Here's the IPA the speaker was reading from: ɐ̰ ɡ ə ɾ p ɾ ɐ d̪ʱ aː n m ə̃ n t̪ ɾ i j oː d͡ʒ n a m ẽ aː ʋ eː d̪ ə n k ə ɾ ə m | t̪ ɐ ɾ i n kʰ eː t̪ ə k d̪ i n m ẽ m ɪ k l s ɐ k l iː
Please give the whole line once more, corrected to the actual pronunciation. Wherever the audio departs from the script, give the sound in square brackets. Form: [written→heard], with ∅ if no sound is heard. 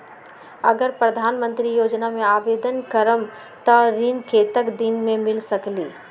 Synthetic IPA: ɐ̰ ɡ ə ɾ p ɾ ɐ d̪ʱ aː n m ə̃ n t̪ ɾ i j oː d͡ʒ n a m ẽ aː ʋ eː d̪ ə n k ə ɾ ə m | t̪ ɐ ɾ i n kʰ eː t̪ ə k d̪ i n m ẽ m ɪ [k→∅] l s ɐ k l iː